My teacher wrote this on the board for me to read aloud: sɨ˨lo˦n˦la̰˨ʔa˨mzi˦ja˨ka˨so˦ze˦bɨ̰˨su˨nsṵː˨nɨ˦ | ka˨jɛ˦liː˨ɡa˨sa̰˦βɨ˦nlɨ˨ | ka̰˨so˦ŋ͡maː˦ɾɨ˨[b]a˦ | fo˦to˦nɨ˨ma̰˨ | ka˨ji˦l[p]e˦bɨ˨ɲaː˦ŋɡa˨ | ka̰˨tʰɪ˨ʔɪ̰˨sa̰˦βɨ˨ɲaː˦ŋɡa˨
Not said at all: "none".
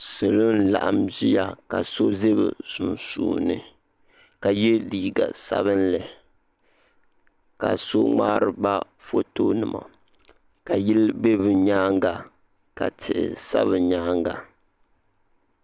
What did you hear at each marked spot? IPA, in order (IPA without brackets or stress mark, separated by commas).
b, b